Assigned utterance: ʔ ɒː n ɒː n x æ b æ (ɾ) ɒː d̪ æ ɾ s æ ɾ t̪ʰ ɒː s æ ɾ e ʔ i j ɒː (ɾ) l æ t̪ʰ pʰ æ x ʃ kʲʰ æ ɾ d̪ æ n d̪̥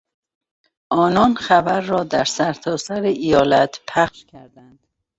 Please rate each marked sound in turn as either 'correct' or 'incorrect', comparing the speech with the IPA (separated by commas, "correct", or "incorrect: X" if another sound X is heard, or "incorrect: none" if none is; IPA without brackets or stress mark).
incorrect: ɾː, incorrect: none